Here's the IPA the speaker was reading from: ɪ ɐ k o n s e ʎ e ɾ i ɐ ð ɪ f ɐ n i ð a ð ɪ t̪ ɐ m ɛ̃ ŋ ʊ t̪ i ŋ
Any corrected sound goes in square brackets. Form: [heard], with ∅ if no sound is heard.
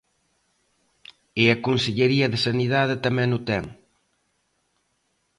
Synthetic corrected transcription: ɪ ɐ k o n s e ʎ e ɾ i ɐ ð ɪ [s] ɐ n i ð a ð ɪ t̪ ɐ m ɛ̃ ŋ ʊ t̪ [ɛ] ŋ